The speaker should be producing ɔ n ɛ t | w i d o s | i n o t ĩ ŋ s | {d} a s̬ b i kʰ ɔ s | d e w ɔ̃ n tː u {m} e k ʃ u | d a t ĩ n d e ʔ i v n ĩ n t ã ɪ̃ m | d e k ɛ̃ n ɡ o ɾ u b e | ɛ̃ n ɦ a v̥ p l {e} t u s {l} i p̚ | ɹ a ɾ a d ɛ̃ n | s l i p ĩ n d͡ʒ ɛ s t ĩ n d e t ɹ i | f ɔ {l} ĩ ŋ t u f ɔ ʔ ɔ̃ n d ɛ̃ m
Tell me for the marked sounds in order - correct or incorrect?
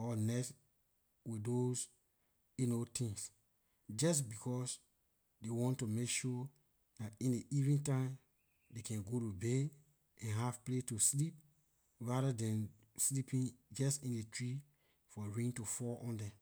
incorrect, correct, correct, correct, incorrect

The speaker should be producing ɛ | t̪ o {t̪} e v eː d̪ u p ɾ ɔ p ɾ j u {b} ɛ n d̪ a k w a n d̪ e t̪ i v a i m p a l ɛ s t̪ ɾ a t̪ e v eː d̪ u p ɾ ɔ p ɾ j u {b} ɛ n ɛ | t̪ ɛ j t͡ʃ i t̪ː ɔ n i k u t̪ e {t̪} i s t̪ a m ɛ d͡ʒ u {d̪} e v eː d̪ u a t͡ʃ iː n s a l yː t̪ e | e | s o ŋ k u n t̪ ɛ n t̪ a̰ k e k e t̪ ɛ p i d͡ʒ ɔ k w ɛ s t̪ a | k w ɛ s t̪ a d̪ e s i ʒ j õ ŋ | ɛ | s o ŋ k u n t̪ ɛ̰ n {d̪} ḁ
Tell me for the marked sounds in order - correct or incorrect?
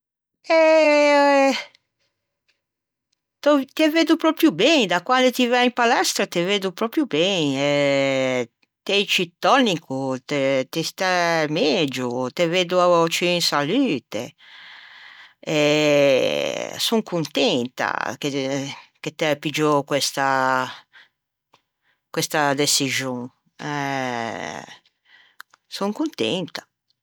correct, correct, correct, correct, incorrect, incorrect

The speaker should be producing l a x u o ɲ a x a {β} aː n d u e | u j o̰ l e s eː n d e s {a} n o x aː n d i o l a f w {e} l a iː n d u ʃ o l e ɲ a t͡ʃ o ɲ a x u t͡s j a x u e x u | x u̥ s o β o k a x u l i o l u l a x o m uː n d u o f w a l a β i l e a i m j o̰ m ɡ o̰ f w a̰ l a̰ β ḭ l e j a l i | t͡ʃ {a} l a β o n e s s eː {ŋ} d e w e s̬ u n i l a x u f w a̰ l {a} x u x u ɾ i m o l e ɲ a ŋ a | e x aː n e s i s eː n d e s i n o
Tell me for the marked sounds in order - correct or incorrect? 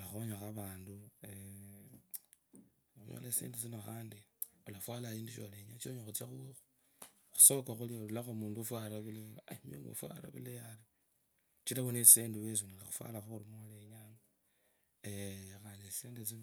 correct, incorrect, incorrect, incorrect, incorrect, correct

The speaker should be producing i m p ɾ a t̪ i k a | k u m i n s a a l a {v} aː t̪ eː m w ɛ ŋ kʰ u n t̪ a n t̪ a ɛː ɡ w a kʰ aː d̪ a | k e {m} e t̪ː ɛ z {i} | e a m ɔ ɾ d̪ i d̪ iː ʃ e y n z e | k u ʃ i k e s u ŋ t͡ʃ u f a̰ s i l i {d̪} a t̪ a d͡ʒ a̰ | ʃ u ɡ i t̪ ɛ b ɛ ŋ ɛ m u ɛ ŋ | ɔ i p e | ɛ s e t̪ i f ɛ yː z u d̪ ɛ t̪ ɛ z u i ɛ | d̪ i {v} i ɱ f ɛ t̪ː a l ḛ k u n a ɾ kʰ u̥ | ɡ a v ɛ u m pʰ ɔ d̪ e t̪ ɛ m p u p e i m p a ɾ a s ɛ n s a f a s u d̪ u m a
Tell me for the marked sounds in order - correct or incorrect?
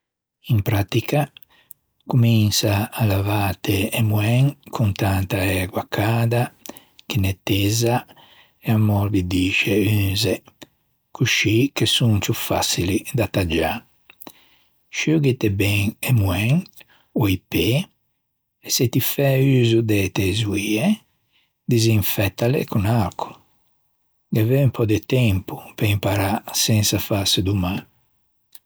correct, incorrect, incorrect, correct, incorrect

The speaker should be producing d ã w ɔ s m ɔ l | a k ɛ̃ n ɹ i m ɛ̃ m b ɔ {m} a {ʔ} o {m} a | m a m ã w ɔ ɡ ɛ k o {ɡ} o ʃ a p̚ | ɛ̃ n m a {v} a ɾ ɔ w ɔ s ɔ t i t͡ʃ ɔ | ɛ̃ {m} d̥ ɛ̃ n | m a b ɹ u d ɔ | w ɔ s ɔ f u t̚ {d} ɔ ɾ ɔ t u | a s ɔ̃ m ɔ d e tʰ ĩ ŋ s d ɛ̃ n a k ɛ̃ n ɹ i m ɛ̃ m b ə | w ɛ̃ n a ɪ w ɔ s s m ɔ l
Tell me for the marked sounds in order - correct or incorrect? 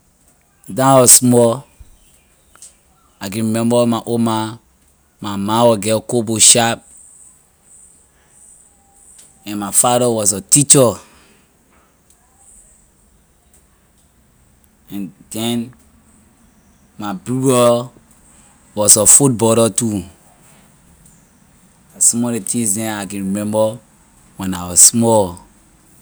correct, correct, correct, incorrect, incorrect, incorrect, incorrect

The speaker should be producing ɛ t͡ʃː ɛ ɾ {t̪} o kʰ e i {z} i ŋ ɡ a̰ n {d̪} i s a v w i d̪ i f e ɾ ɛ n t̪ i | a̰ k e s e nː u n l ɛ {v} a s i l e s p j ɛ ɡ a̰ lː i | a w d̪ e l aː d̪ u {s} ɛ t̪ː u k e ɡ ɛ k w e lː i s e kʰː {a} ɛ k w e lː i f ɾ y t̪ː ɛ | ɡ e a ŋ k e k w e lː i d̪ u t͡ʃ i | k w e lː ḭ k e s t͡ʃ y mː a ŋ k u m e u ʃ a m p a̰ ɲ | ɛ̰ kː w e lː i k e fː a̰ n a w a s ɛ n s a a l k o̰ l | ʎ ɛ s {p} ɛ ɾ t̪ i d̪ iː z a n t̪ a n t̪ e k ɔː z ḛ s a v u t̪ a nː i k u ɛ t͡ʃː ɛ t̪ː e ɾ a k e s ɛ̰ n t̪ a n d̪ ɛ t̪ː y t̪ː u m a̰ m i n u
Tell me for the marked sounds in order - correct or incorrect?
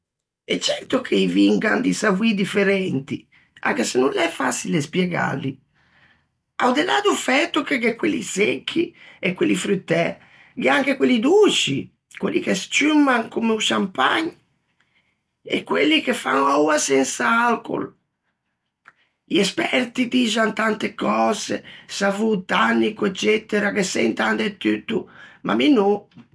correct, incorrect, correct, incorrect, incorrect, incorrect, correct

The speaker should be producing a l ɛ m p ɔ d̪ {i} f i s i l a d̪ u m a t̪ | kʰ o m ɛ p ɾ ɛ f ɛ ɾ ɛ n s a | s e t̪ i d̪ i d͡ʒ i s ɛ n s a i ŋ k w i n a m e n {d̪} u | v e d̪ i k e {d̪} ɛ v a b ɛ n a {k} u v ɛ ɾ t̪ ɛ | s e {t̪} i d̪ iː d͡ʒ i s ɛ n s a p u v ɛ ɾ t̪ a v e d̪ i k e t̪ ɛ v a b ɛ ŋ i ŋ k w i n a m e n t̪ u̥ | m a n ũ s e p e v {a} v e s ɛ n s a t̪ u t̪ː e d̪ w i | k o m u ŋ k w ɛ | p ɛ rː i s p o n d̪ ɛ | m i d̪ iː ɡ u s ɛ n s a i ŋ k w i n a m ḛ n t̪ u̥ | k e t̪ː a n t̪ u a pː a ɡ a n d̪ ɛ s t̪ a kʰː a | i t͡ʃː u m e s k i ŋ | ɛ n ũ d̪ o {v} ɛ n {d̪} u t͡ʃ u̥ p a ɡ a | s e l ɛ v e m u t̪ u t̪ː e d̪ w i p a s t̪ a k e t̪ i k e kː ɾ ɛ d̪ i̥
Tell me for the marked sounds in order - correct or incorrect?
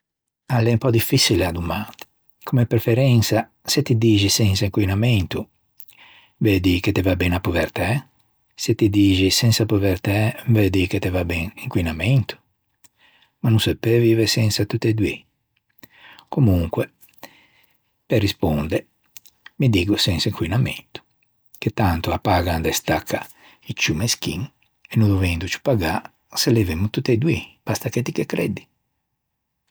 correct, incorrect, incorrect, incorrect, correct, incorrect, correct, correct

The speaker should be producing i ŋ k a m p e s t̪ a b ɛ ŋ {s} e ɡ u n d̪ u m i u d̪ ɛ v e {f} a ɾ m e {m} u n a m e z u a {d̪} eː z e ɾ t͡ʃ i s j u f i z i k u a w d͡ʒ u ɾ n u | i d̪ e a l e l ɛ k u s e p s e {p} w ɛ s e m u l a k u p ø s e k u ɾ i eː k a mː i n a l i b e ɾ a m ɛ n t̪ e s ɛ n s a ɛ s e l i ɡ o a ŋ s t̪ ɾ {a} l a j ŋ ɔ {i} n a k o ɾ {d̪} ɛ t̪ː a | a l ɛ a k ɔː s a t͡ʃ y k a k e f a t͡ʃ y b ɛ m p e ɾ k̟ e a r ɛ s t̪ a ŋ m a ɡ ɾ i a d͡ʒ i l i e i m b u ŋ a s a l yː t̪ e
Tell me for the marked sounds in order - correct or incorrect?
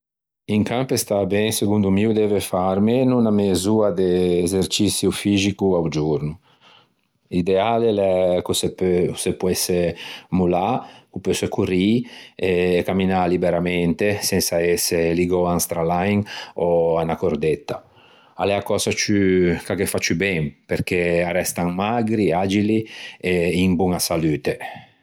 correct, correct, incorrect, correct, correct, correct, incorrect, correct

